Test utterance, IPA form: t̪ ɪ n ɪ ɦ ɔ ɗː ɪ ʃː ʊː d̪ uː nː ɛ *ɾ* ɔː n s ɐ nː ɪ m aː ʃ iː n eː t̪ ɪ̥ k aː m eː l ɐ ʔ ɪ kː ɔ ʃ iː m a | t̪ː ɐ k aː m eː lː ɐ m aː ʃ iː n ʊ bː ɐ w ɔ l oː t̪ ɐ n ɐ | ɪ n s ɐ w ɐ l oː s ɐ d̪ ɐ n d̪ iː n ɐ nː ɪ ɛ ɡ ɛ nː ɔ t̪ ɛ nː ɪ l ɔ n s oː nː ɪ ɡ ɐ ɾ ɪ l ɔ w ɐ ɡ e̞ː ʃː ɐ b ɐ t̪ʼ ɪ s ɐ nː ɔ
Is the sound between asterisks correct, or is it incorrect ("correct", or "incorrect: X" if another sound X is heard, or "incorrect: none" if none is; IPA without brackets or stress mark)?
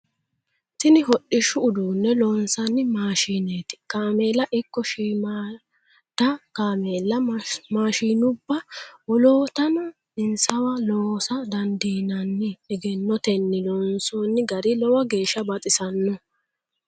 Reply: incorrect: l